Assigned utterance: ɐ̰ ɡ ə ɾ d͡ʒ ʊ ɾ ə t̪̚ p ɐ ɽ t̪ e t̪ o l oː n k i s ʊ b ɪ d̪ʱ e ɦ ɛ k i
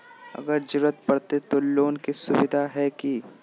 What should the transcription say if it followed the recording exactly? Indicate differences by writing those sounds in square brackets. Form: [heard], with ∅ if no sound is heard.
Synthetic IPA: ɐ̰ ɡ ə ɾ d͡ʒ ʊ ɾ ə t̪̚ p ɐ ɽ t̪ e t̪ o l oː n k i s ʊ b ɪ d̪ʱ [a] ɦ ɛ k i